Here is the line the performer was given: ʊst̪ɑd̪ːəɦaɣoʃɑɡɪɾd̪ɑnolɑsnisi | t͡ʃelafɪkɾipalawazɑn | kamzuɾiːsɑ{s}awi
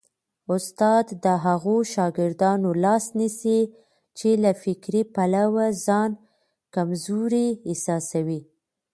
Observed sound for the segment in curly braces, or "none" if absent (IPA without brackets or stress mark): s